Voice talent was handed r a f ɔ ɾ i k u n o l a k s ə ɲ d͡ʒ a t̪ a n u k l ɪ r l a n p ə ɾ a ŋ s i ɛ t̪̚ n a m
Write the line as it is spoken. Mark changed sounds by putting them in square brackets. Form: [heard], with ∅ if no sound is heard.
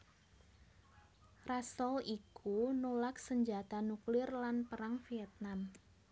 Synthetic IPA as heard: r a [s] ɔ [l] i k u n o l a k s ə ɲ d͡ʒ a t̪ a n u k l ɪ r l a n p ə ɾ a ŋ [f] i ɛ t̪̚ n a m